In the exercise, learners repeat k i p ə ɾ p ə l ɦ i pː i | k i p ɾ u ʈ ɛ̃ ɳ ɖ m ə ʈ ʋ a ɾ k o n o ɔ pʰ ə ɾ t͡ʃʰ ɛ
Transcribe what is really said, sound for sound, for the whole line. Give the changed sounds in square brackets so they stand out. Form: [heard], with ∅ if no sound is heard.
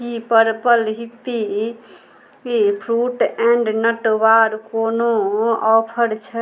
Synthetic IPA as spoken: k i p ə ɾ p ə l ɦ i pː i | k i [pʰ] ɾ u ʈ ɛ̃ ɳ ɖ [n] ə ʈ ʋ a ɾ k o n o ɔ pʰ ə ɾ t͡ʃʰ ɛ

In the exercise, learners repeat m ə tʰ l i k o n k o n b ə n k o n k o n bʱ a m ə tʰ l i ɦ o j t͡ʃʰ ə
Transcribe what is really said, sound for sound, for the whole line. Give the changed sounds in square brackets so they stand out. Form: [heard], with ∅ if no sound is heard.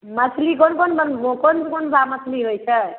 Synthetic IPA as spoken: m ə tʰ l i k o n k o n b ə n k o n k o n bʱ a m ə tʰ l i ɦ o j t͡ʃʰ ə

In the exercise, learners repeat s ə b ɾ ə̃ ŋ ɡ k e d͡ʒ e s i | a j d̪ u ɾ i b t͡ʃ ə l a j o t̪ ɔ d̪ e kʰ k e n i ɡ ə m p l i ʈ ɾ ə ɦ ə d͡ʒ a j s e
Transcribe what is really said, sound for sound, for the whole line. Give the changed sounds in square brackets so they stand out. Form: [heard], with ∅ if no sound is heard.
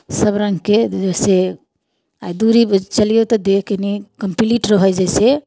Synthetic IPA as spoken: s ə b ɾ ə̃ ŋ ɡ k e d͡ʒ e s [e] | a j d̪ u ɾ i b t͡ʃ ə l [i] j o t̪ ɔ d̪ e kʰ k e n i [k] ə m p l i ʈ ɾ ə ɦ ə d͡ʒ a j s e

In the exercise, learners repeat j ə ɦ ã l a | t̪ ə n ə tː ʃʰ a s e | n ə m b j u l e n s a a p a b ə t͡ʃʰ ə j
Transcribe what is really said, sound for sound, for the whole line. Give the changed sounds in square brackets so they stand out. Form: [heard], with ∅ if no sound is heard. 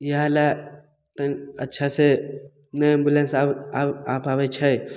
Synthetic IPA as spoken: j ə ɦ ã l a | t̪ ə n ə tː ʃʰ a s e | n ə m b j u l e n s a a p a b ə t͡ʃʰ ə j

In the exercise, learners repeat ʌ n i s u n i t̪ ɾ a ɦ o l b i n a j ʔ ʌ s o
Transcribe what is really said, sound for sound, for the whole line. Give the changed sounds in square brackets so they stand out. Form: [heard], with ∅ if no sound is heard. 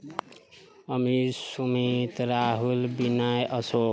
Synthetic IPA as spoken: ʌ [m] i s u [m] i t̪ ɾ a ɦ [u] l b i n a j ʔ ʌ s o

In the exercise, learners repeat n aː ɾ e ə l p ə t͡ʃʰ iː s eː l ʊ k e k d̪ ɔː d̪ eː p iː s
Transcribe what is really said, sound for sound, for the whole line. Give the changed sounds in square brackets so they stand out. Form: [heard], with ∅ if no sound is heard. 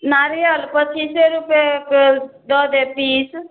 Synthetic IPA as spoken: n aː ɾ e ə l p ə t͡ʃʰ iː s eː [ɾ] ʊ [p] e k d̪ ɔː d̪ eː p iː s

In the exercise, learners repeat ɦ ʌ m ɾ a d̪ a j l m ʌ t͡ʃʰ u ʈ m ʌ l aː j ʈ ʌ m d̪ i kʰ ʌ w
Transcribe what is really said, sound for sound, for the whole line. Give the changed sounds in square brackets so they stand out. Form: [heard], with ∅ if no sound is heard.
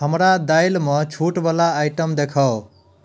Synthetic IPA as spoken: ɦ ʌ m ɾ a d̪ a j l m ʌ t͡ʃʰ u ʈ [b] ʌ l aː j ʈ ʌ m d̪ [e] kʰ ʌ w

